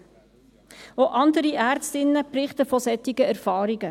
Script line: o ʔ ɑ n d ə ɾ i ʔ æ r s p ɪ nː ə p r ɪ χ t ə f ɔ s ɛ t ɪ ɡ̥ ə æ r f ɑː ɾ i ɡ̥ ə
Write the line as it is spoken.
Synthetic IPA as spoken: o ʔ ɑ n d ə ɾ i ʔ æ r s t ɪ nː ə p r ɪ χ t ə f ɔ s ɛ t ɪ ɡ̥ ə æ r f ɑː ɾ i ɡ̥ ə